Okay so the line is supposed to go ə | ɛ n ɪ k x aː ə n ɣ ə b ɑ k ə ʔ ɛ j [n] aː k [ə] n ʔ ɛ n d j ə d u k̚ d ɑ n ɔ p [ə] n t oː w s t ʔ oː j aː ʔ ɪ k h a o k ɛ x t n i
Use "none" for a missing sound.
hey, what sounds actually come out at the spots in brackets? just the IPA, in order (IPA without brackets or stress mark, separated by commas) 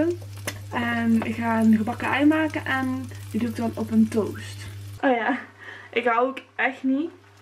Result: m, ə, ə